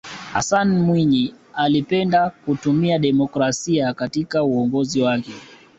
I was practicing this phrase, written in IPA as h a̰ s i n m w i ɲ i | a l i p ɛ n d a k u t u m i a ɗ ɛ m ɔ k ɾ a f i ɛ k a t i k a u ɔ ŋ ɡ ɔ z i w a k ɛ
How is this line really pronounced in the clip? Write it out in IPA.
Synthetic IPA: h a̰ s a n m w i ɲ i | a l i p ɛ n d a k u t u m i a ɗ ɛ m ɔ k ɾ a s i a k a t i k a u ɔ ŋ ɡ ɔ z i w a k ɛ